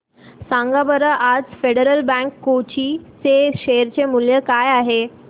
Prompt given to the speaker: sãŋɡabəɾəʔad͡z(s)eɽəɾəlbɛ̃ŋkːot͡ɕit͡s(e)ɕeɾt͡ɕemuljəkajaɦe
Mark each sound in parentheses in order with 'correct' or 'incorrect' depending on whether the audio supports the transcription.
incorrect: f, correct

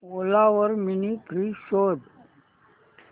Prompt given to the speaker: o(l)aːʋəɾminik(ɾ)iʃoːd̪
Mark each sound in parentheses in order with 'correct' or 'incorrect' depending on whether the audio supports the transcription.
correct, correct

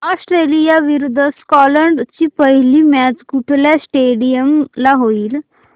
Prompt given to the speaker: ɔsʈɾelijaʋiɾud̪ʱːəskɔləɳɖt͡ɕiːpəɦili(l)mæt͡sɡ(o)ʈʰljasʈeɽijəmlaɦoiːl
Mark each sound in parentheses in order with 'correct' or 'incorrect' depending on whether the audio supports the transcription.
incorrect: none, incorrect: u

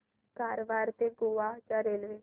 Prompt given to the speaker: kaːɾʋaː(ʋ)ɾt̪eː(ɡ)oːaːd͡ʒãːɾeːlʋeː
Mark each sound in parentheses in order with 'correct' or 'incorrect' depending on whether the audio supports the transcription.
incorrect: none, correct

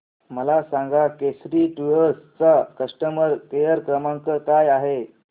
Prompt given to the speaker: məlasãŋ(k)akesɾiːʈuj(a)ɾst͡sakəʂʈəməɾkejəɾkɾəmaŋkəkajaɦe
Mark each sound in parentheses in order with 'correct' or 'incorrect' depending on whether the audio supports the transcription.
incorrect: ɡ, incorrect: ə

